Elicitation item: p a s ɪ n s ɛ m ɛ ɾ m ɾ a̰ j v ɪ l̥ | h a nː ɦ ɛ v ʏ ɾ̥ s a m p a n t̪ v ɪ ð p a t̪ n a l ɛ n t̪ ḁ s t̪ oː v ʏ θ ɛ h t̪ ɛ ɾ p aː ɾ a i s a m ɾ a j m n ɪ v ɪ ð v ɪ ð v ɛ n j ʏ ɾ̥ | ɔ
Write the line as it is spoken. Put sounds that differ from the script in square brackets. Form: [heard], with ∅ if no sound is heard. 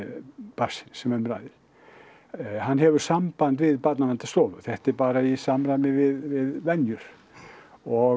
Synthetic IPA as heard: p a s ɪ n s ɛ m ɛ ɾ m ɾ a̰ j [ð] ɪ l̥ | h a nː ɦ ɛ v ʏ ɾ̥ s a m p a n t̪ v ɪ ð p a t̪ n a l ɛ n t̪ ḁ s t̪ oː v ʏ θ ɛ h t̪ ɛ ɾ p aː ɾ a i s a m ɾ a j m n ɪ v ɪ ð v ɪ ð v ɛ n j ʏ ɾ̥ | ɔ